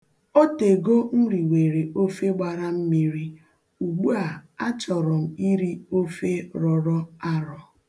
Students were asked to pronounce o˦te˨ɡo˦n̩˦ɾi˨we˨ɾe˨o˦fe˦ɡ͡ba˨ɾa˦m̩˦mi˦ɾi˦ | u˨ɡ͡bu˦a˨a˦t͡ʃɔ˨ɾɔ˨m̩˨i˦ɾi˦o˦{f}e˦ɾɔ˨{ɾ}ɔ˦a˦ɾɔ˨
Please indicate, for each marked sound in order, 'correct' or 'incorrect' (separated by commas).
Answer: correct, correct